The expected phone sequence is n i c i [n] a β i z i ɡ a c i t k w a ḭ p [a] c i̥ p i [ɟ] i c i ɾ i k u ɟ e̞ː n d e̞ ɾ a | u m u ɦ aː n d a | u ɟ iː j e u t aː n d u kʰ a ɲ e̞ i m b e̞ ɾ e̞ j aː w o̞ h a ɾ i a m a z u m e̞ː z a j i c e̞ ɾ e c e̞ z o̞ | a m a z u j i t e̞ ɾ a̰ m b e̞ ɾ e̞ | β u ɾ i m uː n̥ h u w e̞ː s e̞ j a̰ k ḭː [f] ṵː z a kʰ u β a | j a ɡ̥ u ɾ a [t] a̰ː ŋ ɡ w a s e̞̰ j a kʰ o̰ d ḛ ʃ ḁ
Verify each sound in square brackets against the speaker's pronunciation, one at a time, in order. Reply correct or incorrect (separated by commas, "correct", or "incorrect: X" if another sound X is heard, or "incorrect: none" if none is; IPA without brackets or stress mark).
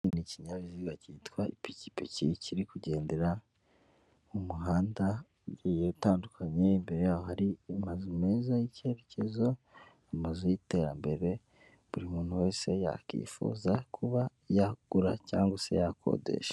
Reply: incorrect: ɲ, incorrect: i, incorrect: c, correct, incorrect: c